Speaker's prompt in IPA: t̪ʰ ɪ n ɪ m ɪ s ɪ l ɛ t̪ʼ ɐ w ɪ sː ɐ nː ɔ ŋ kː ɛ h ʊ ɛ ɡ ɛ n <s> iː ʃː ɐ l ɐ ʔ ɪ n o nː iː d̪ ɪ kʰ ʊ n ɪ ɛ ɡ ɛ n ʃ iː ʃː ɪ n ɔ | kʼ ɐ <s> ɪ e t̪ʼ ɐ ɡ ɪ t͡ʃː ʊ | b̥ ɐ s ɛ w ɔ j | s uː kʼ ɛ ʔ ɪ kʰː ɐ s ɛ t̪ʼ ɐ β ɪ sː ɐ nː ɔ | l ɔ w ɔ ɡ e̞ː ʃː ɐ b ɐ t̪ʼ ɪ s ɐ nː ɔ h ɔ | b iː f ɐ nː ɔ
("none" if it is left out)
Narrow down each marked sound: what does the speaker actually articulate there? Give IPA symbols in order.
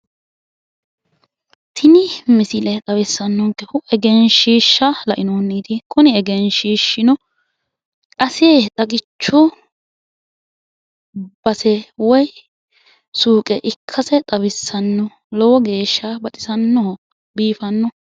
ʃ, s

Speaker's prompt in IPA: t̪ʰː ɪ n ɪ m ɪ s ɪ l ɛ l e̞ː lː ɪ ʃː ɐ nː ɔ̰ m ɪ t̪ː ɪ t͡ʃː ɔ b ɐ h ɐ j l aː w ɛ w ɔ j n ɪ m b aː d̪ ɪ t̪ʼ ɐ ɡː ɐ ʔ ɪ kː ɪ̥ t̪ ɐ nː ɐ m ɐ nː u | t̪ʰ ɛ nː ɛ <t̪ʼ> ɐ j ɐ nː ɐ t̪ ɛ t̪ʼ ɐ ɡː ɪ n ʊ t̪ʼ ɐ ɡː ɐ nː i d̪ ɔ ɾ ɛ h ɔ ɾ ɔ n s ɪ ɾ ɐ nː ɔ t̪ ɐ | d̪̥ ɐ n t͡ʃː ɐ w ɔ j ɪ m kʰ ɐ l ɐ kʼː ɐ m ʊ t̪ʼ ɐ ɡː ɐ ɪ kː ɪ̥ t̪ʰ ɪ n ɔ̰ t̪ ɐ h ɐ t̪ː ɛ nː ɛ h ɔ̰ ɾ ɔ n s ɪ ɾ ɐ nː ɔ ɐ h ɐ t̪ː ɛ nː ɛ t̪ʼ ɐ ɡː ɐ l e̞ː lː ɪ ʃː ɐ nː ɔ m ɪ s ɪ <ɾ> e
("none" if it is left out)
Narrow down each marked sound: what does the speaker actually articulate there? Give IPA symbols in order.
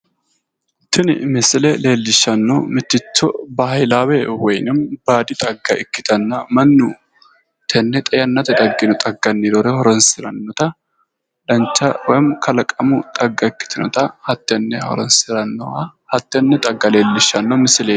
t̪ʼ, l

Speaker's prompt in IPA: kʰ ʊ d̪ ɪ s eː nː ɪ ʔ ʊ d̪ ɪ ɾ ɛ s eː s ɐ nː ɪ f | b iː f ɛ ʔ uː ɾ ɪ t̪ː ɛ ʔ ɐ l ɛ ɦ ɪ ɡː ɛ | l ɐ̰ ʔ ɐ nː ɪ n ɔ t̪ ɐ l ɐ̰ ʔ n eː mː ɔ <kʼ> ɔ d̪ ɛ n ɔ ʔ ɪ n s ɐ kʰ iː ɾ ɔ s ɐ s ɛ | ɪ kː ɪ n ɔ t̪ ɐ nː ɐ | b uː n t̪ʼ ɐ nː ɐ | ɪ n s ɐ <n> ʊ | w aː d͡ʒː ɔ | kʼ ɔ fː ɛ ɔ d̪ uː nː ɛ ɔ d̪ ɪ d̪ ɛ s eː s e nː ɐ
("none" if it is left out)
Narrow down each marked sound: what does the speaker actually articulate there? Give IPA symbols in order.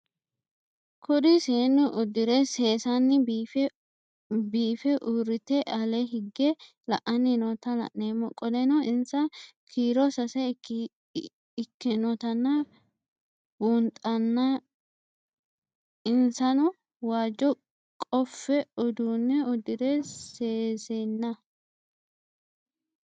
kʼ, n

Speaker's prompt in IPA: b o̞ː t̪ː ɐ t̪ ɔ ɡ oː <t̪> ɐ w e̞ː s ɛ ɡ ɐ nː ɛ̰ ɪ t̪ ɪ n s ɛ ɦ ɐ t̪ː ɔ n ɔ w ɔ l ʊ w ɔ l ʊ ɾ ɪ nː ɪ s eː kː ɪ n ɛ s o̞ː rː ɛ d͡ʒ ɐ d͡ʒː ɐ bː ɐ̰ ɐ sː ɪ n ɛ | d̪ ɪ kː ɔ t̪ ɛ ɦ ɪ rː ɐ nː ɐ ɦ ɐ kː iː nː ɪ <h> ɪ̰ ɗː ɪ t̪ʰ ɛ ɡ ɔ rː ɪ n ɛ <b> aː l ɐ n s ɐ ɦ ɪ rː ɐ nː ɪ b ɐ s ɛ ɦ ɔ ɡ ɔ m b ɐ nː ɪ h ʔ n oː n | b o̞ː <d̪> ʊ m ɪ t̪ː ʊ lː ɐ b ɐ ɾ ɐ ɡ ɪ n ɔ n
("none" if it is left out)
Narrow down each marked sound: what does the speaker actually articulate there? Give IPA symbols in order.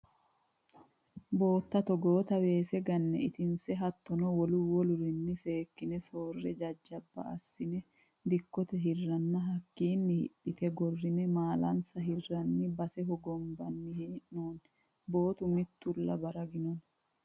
t̪, h, m, t̪

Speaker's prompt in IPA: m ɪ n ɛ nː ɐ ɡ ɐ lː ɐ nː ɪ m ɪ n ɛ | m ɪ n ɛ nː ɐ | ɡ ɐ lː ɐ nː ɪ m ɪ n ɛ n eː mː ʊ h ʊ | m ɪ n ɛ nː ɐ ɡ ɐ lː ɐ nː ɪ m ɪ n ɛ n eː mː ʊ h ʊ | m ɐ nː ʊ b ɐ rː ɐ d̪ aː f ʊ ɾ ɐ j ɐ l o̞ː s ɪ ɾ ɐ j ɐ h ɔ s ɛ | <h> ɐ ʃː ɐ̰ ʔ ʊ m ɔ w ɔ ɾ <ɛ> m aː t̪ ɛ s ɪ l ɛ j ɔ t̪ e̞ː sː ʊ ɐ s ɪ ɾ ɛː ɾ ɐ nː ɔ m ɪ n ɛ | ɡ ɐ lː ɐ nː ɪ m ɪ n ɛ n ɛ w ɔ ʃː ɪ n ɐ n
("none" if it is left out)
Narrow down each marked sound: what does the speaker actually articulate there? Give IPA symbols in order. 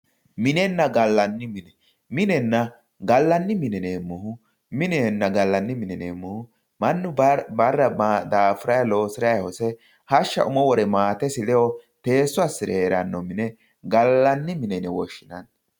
h, ɛ

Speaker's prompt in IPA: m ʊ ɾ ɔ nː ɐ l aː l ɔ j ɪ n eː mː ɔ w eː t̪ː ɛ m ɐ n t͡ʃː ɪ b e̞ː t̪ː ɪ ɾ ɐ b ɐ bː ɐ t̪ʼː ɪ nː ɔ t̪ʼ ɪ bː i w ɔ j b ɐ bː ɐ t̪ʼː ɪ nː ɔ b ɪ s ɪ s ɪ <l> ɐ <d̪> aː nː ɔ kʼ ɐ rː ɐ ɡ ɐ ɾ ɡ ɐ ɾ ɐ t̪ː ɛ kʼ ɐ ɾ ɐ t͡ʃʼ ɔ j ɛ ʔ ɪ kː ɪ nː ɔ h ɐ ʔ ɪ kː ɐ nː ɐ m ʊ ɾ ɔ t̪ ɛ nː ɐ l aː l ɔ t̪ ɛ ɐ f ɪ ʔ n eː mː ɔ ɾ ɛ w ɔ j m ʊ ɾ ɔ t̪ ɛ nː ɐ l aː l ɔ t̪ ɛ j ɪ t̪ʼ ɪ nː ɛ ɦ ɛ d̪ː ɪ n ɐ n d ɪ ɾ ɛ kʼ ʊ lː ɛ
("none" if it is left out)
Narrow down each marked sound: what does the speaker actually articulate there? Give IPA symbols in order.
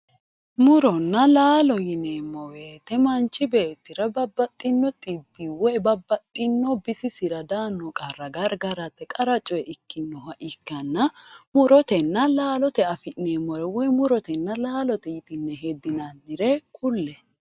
ɾ, d̪

